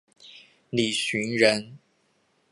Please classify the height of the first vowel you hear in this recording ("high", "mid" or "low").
high